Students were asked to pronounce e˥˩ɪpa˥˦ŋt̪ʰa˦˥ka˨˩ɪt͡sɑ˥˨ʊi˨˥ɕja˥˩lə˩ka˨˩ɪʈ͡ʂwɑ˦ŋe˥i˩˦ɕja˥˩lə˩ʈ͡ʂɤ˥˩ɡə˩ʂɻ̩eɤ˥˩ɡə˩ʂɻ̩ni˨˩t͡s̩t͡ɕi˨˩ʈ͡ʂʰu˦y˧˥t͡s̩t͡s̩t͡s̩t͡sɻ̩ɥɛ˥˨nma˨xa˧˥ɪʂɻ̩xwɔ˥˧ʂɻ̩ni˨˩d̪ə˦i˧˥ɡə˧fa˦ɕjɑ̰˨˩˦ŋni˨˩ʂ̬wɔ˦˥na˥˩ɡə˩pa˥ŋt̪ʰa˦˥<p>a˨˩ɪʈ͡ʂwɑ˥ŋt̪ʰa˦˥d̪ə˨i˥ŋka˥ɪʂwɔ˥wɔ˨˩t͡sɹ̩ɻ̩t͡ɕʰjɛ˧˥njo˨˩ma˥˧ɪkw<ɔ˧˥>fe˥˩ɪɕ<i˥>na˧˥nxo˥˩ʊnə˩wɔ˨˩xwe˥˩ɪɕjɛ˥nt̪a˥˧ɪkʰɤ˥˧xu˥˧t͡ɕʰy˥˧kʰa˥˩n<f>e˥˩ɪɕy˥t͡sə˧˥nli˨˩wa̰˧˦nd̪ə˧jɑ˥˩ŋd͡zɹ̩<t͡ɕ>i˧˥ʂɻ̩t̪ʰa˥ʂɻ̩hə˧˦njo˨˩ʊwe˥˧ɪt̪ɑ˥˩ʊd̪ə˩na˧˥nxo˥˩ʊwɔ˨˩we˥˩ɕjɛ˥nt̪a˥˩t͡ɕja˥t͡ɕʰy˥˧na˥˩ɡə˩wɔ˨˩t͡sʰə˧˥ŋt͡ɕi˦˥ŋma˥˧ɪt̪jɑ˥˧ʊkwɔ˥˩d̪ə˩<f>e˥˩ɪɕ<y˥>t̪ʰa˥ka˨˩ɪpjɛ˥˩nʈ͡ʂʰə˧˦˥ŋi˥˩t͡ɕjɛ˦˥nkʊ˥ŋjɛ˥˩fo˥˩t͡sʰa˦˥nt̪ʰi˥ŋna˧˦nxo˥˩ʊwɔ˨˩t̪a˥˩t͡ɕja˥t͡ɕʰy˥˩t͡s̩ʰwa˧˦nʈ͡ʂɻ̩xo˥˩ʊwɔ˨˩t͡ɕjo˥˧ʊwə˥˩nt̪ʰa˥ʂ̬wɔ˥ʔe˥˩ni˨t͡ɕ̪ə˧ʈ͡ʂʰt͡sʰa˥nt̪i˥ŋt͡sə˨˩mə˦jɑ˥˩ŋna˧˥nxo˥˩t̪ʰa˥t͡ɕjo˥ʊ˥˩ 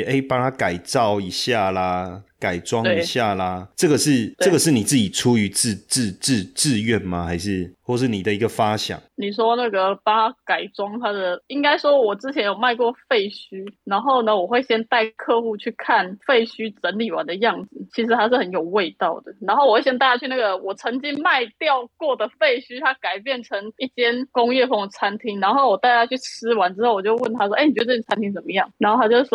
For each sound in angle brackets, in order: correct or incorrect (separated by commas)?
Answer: incorrect, incorrect, incorrect, correct, incorrect, correct, correct